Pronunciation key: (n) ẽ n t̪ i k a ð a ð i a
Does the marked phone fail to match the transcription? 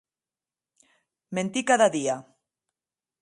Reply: yes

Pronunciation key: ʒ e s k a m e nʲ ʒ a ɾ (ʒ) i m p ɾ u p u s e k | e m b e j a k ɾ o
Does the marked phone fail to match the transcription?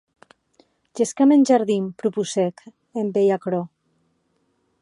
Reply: yes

